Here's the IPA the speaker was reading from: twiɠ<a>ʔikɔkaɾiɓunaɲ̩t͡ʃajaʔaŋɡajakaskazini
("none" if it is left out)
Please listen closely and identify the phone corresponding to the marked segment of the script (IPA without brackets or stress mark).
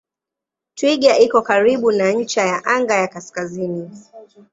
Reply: a